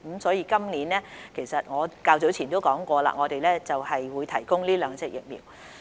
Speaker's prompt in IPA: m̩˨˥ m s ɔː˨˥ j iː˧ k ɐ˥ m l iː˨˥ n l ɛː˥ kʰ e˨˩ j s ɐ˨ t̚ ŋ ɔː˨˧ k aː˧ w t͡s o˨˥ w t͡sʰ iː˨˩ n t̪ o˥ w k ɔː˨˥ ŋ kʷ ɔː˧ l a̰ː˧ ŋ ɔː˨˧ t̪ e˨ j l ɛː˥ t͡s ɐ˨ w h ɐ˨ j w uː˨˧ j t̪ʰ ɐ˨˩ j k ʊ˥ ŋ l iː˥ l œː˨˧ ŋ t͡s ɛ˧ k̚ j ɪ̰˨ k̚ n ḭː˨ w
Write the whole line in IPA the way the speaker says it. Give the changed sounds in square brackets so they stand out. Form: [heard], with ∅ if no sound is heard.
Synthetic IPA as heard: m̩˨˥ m s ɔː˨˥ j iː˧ k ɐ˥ m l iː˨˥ n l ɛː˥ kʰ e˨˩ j s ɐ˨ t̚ ŋ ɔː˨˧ k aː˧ w t͡s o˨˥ w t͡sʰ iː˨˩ n t̪ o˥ w k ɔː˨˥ ŋ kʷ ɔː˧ l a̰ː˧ ŋ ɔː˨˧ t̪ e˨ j l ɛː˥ t͡s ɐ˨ w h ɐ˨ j w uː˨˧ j t̪ʰ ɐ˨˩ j k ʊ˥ ŋ l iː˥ l œː˨˧ ŋ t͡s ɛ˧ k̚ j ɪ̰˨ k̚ [m] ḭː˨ w